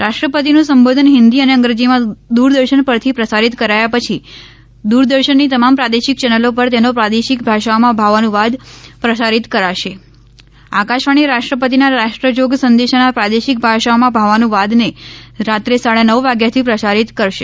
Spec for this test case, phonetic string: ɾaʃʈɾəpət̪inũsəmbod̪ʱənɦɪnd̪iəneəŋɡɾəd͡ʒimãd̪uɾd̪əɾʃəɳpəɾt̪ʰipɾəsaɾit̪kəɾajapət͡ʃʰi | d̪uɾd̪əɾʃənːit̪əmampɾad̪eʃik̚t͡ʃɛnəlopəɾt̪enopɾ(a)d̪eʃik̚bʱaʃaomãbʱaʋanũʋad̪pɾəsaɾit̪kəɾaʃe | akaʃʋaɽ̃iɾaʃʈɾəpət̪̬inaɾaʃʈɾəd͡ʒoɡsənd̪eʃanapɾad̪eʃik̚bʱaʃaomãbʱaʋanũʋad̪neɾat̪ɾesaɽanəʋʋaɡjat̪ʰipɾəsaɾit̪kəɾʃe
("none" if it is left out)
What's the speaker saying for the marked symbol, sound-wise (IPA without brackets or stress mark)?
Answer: a